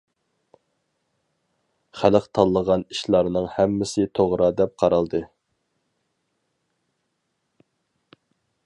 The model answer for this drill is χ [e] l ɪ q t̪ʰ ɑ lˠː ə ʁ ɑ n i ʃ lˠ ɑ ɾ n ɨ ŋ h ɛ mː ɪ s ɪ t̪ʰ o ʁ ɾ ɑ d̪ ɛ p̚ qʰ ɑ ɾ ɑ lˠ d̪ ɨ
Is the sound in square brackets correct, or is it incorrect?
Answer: incorrect